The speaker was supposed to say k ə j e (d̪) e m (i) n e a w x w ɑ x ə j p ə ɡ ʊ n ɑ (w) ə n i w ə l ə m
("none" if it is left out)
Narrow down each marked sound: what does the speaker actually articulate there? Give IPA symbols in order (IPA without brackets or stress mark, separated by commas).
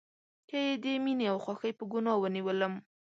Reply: d̪, i, w